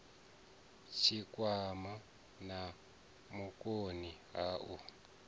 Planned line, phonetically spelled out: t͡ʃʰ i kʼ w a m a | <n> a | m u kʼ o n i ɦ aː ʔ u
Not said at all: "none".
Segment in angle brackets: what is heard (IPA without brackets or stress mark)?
n